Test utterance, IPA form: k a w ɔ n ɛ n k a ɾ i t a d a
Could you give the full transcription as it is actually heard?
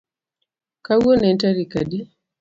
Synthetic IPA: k a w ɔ n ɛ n t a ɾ i k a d i